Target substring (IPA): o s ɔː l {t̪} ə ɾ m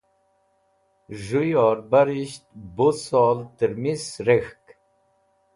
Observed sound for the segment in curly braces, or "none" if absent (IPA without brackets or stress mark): t̪